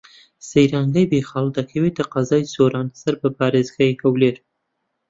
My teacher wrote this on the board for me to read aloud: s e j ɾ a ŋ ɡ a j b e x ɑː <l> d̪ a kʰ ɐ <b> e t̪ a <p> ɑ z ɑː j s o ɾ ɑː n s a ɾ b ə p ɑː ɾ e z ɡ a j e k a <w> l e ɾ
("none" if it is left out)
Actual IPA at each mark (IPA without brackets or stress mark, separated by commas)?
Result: l, w, q, w